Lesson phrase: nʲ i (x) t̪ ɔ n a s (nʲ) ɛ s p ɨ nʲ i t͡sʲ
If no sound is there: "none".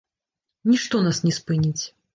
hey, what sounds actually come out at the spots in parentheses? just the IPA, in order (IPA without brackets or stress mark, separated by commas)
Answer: ʂ, nʲ